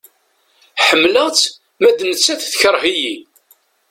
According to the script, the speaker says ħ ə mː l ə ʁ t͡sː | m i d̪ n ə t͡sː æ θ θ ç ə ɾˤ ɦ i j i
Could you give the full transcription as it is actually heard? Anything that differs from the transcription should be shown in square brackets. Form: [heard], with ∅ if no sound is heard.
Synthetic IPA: ħ ə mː l ə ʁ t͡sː | m [æ] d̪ n ə t͡sː æ θ θ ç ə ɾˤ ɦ i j i